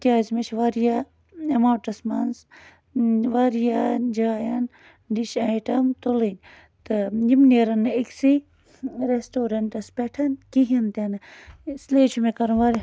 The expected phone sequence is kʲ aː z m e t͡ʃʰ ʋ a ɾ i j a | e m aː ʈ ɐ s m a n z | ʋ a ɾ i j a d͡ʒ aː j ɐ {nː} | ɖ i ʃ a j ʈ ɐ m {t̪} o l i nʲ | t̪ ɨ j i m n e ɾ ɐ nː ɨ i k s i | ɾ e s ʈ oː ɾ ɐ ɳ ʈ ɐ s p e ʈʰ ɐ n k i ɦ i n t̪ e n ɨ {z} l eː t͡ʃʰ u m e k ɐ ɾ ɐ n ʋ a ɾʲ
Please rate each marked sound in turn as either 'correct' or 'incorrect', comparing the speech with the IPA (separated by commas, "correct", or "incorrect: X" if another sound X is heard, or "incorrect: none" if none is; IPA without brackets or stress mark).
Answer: incorrect: n, correct, incorrect: s